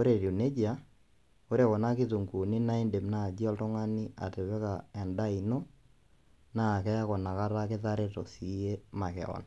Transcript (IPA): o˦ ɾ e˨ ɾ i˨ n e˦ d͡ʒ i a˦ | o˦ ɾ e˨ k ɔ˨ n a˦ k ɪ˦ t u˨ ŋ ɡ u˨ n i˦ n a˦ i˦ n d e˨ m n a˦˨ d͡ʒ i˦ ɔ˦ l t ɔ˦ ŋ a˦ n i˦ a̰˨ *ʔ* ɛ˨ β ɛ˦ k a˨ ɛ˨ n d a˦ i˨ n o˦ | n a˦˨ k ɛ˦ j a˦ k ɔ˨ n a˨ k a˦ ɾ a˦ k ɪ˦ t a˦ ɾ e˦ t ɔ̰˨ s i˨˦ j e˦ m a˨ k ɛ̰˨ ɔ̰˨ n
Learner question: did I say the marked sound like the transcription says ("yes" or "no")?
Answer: no